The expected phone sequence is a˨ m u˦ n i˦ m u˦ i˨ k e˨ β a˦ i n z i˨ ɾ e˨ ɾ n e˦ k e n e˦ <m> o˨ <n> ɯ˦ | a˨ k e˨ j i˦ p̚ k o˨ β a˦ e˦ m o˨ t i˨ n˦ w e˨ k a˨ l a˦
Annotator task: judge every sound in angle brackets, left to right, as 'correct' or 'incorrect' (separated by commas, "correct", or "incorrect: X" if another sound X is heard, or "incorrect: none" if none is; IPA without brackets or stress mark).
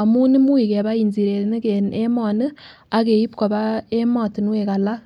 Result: correct, correct